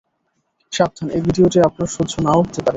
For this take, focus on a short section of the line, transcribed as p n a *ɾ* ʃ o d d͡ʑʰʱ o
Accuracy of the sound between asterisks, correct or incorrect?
correct